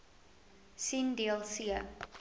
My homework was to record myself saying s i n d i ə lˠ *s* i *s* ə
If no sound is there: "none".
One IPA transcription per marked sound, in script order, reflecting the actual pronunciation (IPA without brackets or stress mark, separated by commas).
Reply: s, none